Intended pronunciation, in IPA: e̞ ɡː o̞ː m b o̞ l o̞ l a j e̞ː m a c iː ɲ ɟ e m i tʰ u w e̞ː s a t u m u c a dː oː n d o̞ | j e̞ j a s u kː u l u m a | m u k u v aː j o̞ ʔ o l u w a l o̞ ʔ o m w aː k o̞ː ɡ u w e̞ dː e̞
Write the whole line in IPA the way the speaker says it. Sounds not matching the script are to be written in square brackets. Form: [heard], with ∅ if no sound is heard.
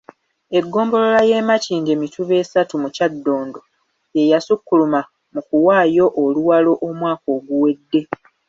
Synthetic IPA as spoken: e̞ ɡː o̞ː m b o̞ l o̞ l a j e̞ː m a c iː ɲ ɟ e m i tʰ u [β] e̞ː s a t u m u c a dː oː n d o̞ | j e̞ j a s u kː u l u m a | m u k u [w] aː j o̞ ʔ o l u w a l o̞ ʔ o m w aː k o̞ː ɡ u w e̞ dː e̞